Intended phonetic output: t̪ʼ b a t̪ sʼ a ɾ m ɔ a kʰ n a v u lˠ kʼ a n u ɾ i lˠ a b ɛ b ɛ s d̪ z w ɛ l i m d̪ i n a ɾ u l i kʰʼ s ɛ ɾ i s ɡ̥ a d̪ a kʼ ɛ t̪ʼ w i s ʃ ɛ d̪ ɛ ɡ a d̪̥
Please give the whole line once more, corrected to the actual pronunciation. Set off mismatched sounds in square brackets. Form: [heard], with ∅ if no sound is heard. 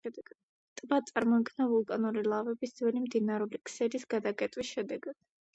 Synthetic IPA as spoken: t̪ʼ b a t̪ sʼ a ɾ m ɔ [i] kʰ n a v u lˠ kʼ a n u ɾ i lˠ a [v] ɛ b [i] s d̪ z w ɛ l i m d̪ i n a ɾ u l i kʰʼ s ɛ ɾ i s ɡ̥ a d̪ a kʼ ɛ t̪ʼ w i s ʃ ɛ d̪ ɛ ɡ a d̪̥